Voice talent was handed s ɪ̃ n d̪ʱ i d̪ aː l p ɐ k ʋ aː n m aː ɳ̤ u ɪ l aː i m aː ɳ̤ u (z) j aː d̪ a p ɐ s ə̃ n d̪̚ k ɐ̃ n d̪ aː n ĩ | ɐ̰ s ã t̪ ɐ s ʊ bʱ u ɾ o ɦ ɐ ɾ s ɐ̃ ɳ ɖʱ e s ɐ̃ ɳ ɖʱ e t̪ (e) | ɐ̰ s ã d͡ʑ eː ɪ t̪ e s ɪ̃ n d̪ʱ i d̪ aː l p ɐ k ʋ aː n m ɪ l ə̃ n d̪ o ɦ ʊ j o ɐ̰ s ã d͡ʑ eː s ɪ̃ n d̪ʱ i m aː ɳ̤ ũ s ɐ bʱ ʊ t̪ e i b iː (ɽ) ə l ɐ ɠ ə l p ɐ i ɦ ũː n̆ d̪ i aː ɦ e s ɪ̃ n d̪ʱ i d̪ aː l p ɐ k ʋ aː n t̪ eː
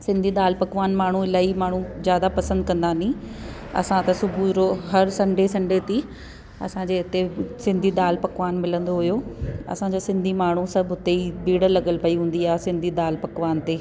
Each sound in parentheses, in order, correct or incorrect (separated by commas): correct, incorrect, correct